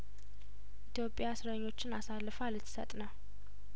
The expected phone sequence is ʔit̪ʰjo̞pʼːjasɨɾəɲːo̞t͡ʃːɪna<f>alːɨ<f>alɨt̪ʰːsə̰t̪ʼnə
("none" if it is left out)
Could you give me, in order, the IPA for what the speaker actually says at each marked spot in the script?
s, f

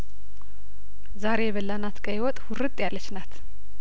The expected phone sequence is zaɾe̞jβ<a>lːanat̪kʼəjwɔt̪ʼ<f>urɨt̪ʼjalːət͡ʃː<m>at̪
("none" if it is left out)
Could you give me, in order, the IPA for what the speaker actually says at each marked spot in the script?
ə, h, n

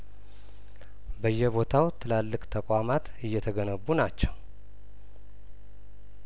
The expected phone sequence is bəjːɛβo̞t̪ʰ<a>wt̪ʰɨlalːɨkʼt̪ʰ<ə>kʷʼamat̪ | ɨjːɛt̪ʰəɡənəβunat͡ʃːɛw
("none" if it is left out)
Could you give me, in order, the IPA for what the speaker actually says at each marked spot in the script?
a, ə

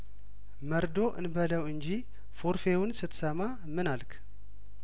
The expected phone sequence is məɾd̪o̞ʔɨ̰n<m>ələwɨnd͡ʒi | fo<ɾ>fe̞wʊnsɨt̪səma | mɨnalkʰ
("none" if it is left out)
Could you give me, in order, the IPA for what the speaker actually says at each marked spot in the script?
b, ɾ

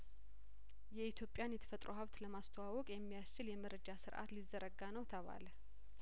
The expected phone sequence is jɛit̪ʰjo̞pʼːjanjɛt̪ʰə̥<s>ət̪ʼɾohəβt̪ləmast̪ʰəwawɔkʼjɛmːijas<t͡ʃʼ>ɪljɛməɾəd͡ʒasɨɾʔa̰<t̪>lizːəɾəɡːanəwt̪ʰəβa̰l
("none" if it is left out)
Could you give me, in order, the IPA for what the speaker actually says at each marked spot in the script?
f, t͡ʃ, t̪

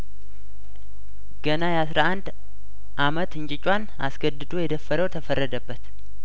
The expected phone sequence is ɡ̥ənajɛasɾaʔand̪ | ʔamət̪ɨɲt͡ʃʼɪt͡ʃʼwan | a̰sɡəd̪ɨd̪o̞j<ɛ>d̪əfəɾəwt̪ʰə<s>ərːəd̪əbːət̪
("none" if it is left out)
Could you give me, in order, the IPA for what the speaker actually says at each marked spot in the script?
ɛ, f

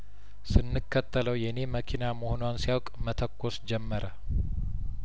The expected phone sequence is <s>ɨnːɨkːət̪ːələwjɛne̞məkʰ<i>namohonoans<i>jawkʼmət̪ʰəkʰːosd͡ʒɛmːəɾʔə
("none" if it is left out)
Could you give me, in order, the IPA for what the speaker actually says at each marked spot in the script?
s, i, i

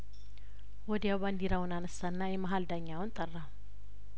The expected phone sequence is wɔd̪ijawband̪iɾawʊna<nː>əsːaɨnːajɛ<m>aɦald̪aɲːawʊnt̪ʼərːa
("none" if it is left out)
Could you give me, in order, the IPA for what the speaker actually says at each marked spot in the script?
n, m

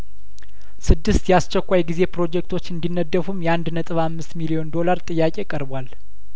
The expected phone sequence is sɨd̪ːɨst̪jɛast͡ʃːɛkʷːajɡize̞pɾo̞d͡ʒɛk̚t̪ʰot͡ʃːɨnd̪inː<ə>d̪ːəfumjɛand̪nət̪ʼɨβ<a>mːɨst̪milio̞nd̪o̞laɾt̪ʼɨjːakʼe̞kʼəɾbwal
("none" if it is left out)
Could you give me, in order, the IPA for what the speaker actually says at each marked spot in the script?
ə, a

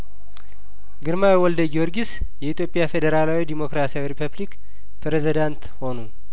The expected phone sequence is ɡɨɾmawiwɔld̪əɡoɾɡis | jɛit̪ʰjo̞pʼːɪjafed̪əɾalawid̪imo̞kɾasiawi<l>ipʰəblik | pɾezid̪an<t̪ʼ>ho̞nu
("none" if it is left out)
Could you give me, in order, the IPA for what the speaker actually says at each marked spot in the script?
ɾ, t̪

